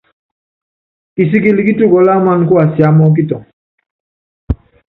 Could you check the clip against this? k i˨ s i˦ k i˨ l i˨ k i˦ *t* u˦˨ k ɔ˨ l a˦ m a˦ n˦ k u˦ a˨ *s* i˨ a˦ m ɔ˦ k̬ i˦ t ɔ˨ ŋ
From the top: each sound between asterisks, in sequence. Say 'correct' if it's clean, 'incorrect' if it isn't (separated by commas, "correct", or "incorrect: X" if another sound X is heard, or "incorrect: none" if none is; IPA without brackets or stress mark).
correct, correct